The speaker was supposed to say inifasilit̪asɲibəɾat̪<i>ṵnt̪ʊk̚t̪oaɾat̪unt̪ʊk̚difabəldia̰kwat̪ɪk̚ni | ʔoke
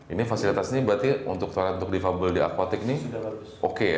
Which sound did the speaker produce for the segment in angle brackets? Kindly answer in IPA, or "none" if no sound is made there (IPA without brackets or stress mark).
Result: i